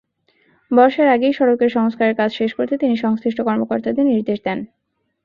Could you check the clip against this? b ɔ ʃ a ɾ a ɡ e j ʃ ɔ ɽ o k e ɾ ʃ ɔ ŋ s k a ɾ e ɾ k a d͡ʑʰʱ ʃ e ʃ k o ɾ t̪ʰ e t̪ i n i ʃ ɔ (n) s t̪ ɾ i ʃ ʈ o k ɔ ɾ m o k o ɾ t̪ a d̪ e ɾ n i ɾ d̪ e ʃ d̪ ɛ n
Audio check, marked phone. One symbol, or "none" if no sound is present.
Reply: ŋ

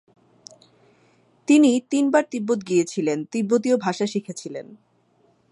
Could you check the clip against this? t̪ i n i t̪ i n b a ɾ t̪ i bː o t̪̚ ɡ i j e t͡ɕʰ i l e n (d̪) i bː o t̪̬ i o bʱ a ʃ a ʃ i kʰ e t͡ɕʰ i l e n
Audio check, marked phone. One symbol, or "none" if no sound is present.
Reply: t̪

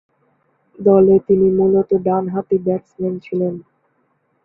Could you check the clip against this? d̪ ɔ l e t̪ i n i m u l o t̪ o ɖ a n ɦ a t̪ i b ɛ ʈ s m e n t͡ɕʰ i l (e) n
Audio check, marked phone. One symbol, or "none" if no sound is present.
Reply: e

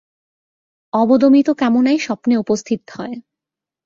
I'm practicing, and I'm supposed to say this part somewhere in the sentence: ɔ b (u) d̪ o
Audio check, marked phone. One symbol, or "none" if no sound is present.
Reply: o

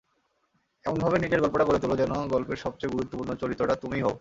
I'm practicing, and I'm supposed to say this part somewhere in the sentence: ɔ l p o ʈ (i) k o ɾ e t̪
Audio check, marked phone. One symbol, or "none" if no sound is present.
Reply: a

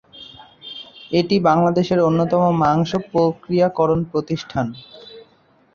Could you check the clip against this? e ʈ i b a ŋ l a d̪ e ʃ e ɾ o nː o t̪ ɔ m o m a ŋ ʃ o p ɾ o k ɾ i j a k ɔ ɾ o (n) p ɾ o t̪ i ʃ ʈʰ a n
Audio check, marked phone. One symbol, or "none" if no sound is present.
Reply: n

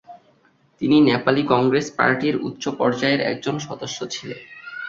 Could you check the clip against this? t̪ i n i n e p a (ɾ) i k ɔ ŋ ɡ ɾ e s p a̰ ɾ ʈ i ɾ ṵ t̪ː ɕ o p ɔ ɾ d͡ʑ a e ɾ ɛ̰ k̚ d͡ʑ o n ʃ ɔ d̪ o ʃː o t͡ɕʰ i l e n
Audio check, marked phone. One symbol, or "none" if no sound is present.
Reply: l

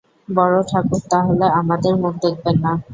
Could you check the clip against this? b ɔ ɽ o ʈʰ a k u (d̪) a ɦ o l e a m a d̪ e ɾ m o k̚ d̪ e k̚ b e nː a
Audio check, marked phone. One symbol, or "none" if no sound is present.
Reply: t̪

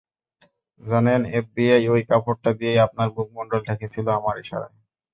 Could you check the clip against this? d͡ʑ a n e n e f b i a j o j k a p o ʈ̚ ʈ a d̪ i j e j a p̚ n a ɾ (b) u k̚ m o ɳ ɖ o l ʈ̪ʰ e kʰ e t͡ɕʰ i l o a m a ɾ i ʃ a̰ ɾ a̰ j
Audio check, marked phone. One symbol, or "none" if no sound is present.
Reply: b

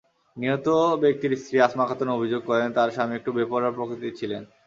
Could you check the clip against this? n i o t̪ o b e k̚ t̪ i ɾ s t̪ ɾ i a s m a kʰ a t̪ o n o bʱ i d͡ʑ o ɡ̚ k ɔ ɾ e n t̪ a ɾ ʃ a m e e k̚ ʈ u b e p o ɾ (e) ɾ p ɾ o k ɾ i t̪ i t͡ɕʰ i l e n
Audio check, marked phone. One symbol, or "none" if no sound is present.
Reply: a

